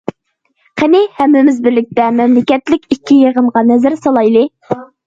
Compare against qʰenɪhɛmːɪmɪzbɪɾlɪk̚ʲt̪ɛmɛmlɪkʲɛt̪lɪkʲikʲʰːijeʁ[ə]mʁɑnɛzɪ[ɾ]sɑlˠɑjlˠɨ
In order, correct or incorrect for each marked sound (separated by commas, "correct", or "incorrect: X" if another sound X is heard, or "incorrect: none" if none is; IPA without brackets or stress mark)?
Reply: correct, correct